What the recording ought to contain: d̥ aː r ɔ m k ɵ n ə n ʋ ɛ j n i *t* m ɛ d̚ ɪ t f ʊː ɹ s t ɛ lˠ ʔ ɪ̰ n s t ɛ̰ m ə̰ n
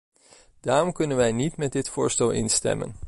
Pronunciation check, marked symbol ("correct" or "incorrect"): correct